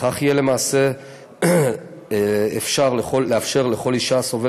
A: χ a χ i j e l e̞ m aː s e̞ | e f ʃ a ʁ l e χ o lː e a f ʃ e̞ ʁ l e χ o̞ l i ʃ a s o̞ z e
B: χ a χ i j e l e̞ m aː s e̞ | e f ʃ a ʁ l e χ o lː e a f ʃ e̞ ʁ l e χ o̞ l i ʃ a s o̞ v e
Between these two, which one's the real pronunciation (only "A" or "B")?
B